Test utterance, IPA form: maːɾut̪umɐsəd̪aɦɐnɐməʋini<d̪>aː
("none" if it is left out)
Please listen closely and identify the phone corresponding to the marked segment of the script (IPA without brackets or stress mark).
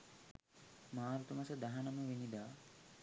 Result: d̪